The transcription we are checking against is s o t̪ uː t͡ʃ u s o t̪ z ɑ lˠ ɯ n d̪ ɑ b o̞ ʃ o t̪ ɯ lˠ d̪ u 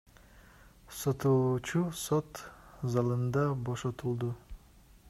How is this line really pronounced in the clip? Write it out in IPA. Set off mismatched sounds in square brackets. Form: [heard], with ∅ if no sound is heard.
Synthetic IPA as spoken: s o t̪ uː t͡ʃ u s o t̪ z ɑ lˠ ɯ n d̪ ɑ b o̞ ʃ o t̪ [u] lˠ d̪ u